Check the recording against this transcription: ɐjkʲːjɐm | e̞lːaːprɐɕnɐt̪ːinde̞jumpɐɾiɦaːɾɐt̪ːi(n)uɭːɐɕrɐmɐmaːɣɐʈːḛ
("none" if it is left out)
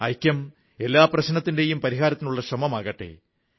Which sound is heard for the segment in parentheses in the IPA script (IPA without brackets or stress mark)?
n